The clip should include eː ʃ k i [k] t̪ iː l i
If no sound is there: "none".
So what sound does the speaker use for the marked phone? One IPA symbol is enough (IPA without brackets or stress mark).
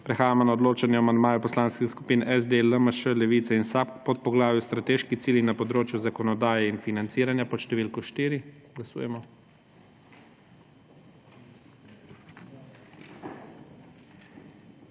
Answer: x